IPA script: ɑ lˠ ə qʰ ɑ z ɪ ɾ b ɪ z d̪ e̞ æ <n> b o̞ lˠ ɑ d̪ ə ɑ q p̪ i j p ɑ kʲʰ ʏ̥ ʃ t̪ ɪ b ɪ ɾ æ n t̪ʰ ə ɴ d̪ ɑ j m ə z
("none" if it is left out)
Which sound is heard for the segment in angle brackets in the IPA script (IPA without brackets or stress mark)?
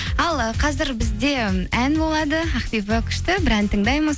n